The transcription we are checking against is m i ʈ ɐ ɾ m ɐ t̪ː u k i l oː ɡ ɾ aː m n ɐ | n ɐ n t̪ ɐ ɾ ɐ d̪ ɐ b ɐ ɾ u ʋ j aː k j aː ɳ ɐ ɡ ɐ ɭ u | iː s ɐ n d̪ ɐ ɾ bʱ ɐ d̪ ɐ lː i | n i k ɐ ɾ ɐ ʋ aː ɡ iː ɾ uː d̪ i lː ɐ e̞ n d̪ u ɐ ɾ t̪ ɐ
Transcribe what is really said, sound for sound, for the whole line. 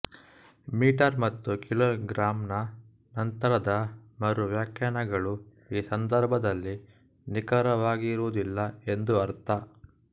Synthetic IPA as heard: m iː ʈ ɐ ɾ m ɐ t̪ː u k i l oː ɡ ɾ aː m n ɐ | n ɐ n t̪ ɐ ɾ ɐ d̪ ɐ m ɐ ɾ u ʋ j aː k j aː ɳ ɐ ɡ ɐ ɭ u | iː s ɐ n d̪ ɐ ɾ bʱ ɐ d̪ ɐ lː i | n i k ɐ ɾ ɐ ʋ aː ɡ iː ɾ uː d̪ i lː ɐ e̞ n d̪ u ɐ ɾ t̪ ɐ